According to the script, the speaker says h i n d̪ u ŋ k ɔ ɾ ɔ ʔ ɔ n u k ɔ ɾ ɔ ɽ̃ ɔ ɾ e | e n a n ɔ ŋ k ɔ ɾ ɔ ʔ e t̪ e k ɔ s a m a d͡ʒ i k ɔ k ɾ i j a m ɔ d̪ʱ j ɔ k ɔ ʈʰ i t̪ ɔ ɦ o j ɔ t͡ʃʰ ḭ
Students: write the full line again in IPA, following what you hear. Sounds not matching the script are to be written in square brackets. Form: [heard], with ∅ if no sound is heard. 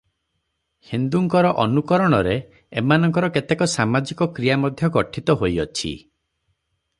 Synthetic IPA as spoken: h i n d̪ u ŋ k ɔ ɾ ɔ ʔ ɔ n u k ɔ ɾ ɔ ɽ̃ ɔ ɾ e | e [m] a n ɔ ŋ k ɔ ɾ ɔ [k] e t̪ e k ɔ s a m a d͡ʒ i k ɔ k ɾ i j a m ɔ d̪ʱ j ɔ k ɔ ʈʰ i t̪ ɔ ɦ o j ɔ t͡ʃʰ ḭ